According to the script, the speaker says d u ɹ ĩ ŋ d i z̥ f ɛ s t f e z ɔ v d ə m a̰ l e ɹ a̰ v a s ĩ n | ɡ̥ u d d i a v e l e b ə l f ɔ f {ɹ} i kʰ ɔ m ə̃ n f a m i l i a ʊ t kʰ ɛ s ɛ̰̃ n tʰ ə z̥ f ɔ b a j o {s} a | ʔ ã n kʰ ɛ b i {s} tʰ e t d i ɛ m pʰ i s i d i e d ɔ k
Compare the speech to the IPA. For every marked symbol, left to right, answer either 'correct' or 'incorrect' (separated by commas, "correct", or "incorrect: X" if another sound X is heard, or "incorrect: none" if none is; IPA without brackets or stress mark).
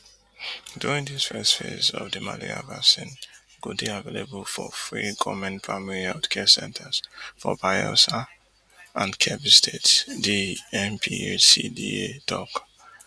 correct, correct, correct